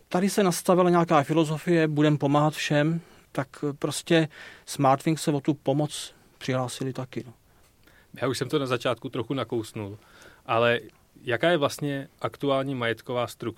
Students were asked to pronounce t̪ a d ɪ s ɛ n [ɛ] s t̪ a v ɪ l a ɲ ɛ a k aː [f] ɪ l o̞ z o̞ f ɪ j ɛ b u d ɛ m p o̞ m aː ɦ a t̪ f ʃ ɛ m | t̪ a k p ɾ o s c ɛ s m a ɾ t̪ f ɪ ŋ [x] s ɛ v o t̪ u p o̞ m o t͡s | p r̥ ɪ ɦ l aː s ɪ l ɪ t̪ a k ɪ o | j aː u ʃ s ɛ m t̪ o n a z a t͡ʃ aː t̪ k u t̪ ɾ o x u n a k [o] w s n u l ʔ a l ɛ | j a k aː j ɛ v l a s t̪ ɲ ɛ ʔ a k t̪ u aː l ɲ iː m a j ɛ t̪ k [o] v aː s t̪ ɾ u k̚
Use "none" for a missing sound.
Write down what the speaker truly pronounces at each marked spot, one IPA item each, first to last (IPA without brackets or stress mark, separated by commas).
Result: a, f, k, o, o